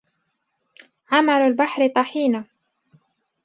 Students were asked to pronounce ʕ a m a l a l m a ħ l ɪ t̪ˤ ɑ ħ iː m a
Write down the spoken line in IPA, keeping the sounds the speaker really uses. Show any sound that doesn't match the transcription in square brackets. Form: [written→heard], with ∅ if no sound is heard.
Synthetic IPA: ʕ a m a l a l [m→b] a ħ [l→ɾ] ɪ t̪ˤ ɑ ħ iː [m→n] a